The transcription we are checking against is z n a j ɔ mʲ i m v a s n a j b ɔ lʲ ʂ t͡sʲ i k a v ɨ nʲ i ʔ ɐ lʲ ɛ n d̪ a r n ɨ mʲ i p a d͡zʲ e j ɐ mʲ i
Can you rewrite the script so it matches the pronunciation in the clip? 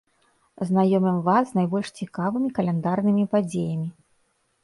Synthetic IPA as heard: z n a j ɔ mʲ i m v a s n a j b ɔ lʲ ʂ t͡sʲ i k a v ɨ mʲ i k ɐ lʲ ɛ n d̪ a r n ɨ mʲ i p a d͡zʲ e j ɐ mʲ i

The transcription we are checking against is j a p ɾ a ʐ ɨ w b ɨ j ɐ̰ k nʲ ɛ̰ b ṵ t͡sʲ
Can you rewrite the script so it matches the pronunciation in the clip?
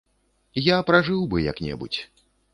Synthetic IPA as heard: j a p ɾ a ʐ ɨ w b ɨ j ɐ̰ k nʲ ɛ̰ b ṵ t͡sʲ

